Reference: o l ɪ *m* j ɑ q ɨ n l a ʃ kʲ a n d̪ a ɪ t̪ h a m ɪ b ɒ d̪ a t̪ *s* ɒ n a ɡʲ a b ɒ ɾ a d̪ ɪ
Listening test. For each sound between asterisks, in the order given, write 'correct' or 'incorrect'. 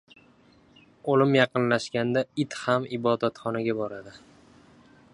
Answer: correct, incorrect

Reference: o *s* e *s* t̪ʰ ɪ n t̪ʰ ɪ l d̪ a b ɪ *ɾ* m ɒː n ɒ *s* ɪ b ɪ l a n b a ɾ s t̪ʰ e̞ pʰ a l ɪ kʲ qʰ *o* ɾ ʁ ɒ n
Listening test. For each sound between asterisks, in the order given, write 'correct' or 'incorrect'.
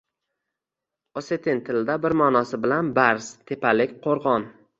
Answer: correct, incorrect, correct, correct, correct

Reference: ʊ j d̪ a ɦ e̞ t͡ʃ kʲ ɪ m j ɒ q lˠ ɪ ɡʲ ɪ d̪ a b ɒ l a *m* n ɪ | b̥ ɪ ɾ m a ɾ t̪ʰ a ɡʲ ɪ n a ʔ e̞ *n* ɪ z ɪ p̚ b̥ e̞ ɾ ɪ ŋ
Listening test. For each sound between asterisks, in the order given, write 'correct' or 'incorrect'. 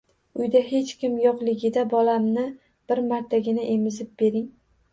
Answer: correct, incorrect

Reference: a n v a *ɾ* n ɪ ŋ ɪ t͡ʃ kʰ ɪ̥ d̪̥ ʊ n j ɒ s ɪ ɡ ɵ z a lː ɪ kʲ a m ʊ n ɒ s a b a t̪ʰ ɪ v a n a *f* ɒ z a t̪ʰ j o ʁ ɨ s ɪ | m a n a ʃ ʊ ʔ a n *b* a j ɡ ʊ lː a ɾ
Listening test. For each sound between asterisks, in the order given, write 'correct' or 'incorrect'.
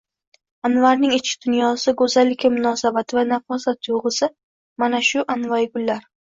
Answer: correct, correct, incorrect

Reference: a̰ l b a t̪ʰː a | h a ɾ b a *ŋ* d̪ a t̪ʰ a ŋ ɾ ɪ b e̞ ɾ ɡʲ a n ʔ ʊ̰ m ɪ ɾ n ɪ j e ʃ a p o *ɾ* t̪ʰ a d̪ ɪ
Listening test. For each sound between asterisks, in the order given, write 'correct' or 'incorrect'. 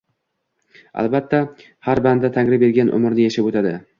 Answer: incorrect, incorrect

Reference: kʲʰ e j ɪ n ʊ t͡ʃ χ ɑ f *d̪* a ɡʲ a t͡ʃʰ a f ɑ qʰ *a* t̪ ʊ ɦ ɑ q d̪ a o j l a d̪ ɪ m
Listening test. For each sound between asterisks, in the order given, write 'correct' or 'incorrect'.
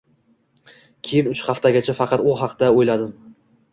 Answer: incorrect, incorrect

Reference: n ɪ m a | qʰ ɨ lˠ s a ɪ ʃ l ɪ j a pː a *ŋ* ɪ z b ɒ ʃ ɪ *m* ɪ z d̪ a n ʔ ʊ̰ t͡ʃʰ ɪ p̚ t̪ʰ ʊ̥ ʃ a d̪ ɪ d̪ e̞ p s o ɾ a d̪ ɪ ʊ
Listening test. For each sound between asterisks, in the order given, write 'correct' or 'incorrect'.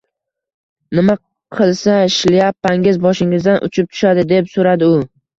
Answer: correct, incorrect

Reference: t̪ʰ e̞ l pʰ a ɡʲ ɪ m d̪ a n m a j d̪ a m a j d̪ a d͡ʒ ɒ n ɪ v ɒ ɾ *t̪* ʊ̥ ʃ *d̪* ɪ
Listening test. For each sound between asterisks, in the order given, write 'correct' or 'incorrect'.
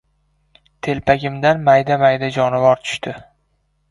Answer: incorrect, incorrect

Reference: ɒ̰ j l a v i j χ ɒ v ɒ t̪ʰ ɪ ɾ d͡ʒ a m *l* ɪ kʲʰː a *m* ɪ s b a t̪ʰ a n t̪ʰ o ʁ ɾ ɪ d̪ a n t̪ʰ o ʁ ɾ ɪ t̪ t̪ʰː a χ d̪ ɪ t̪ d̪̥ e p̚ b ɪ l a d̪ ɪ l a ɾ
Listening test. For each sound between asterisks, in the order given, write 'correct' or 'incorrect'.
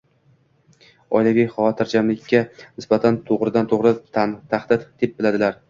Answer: correct, incorrect

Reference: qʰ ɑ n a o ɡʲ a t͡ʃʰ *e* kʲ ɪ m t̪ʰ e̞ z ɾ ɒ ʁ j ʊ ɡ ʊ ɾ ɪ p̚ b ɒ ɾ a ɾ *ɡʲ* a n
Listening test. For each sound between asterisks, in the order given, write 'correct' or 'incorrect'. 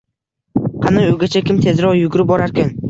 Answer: incorrect, incorrect

